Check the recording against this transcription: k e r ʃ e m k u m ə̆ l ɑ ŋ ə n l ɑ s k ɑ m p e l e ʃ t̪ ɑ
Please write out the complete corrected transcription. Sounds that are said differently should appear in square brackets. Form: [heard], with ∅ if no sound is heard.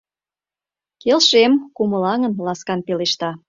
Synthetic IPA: k e [l] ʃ e m k u m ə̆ l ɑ ŋ ə n l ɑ s k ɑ [n] p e l e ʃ t̪ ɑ